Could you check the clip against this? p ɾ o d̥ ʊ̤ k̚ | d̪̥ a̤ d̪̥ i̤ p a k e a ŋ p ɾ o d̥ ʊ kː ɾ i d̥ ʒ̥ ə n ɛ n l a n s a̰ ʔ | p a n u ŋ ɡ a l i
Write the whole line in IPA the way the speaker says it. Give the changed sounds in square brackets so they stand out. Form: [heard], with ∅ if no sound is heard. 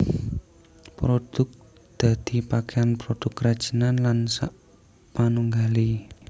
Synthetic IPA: p ɾ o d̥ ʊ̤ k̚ | d̪̥ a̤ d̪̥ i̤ p a k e a [n] p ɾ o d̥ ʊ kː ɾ [a] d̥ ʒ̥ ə n [a] n l a n s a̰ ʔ | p a n u ŋ ɡ a l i